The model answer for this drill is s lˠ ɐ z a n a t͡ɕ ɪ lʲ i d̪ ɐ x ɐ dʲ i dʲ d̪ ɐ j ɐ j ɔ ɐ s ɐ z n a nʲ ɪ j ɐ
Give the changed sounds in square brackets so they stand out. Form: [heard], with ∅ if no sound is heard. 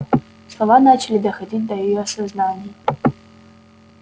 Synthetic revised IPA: s lˠ ɐ [v] a n a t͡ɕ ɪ lʲ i d̪ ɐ x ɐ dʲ i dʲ d̪ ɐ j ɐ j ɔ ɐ s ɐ z n a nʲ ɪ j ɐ